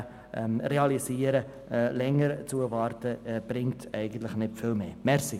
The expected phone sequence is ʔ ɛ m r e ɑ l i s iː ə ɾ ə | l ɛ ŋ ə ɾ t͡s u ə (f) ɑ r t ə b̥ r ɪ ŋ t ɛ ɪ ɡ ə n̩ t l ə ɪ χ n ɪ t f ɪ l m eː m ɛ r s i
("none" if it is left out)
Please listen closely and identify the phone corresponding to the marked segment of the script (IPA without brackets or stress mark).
v